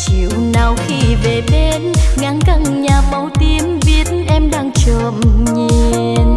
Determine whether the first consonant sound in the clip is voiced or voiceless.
voiceless